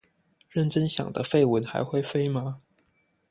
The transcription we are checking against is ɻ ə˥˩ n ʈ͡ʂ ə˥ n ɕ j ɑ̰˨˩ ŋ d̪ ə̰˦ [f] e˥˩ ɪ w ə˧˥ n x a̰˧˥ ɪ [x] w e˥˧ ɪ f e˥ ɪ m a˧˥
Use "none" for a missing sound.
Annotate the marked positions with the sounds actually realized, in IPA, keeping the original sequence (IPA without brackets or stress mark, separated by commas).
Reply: f, x